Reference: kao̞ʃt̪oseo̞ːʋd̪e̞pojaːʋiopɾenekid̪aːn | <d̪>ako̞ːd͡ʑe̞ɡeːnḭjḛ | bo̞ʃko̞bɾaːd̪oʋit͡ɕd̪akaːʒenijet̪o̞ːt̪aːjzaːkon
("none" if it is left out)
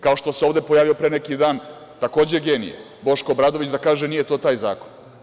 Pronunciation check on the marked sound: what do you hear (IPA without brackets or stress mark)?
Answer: t̪